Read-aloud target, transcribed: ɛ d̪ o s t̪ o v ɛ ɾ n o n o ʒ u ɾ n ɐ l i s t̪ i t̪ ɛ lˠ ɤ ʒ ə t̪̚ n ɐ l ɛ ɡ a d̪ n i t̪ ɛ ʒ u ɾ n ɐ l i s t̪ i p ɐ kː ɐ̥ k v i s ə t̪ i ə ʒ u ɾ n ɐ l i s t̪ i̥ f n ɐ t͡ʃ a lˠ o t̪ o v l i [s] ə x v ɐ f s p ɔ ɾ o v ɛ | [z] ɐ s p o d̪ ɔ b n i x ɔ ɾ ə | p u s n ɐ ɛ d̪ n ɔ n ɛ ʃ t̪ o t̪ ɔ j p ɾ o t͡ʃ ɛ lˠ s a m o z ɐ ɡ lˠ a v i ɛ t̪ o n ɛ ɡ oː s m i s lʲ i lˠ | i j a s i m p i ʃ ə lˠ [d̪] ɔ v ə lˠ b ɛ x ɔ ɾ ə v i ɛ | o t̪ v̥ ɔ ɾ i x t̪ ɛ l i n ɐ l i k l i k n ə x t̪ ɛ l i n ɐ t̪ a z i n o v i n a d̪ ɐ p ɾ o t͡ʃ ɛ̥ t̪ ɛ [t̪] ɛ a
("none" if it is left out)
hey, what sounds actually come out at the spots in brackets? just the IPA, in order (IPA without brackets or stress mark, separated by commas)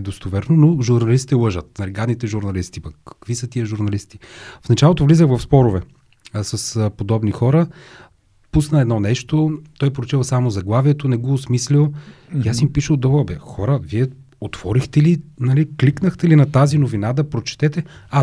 z, s, d̪, t̪